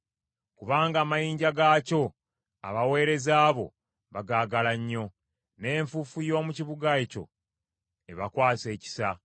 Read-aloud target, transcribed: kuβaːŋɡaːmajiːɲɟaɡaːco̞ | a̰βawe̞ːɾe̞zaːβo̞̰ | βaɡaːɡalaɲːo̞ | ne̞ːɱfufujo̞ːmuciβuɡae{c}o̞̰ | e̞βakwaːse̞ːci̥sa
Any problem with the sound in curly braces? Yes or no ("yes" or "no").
no